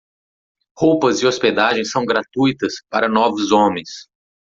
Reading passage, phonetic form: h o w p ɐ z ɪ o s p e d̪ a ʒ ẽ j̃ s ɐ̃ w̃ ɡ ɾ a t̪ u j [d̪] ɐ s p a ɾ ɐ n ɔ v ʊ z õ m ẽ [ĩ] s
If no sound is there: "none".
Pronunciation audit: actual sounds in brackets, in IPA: t̪, j̃

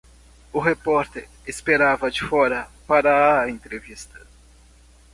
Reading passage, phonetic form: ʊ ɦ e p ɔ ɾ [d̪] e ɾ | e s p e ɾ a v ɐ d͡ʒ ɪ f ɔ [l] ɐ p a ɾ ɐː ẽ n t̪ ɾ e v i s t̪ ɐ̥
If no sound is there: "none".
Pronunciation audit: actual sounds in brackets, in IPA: t̪, ɾ

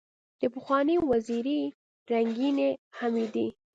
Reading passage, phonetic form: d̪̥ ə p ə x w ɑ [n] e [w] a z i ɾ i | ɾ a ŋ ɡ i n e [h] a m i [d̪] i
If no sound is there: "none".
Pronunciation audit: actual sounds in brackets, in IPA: n, w, h, d̪

